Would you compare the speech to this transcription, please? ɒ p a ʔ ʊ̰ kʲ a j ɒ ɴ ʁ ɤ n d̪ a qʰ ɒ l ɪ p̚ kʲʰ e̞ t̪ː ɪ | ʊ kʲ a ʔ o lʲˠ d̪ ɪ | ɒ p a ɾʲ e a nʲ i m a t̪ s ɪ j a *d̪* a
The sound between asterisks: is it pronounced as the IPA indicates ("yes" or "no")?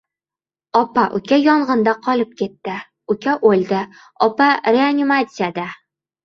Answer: yes